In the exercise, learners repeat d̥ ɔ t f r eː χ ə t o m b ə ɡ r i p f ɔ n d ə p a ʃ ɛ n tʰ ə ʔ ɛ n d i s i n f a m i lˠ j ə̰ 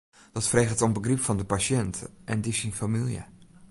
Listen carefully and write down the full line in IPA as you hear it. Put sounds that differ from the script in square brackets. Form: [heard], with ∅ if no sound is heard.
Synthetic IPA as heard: d̥ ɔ t f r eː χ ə t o m b ə ɡ r i p f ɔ n d ə p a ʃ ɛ n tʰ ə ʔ ɛ n d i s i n f a m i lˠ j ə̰